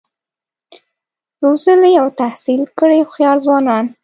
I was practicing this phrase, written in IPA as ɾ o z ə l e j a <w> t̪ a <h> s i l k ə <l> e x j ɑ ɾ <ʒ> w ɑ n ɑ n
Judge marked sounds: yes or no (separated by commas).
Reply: yes, yes, no, no